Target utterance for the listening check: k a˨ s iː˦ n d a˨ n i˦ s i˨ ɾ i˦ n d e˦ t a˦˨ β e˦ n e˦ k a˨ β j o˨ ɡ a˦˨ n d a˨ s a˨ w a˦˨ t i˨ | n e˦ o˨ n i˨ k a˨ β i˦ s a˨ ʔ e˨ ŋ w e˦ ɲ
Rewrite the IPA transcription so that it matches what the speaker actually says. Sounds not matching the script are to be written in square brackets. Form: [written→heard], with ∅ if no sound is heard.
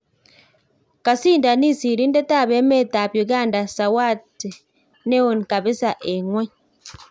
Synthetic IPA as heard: k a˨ s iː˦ n d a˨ n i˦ s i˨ ɾ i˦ n d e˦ t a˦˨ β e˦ [n→m] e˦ [k→t] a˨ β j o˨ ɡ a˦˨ n d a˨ s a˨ w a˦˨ t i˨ | n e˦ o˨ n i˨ k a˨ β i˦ s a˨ ʔ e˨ ŋ w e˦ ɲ